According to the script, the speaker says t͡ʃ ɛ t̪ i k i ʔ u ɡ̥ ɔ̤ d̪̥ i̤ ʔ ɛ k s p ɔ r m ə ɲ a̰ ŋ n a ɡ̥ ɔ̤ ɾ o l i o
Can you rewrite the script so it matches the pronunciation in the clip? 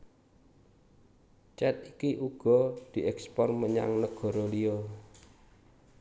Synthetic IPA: t͡ʃ ɛ t̪ i k i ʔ u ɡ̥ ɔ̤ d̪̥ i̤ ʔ ɛ k s p ɔ r m ə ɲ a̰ ŋ n ə ɡ̥ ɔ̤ ɾ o l i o